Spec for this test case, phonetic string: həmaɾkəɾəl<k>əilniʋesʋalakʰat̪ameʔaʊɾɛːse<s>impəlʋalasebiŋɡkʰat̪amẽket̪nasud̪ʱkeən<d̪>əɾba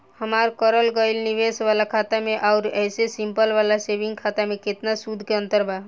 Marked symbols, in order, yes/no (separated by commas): no, yes, no